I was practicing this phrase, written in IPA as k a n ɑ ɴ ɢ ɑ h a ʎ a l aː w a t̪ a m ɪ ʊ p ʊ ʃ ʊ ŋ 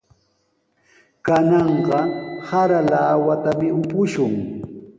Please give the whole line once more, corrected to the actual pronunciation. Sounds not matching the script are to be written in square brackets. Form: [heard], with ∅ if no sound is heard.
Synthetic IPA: k a n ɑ ɴ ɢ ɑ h a [ɾ] a l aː w a t̪ a m ɪ ʊ p ʊ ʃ ʊ ŋ